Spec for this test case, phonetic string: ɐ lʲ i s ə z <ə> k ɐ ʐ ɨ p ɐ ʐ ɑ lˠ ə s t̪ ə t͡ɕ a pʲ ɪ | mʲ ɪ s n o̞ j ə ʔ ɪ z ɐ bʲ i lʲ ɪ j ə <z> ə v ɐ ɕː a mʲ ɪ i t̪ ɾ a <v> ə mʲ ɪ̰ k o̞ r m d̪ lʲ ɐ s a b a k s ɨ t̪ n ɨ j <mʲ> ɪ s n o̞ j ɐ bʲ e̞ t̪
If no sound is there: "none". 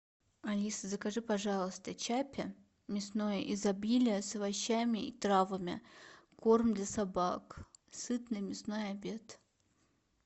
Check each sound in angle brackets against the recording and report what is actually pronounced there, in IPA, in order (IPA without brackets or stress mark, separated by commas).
ə, s, v, mʲ